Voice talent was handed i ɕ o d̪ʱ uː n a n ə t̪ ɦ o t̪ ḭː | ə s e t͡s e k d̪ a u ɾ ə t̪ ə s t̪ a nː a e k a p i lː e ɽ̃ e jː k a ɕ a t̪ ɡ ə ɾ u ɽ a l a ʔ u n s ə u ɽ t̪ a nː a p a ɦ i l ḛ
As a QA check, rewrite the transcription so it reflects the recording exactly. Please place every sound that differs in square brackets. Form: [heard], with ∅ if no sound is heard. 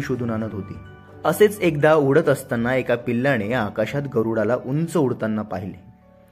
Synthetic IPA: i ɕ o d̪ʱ uː n a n ə t̪ ɦ o t̪ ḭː | ə s e t͡s e k d̪ a u [ɽ] ə t̪ ə s t̪ a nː a e k a p i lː [a] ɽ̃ e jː k a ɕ a t̪ ɡ ə ɾ u ɽ a l a ʔ u n [t͡s] ə u ɽ t̪ a nː a p a ɦ i l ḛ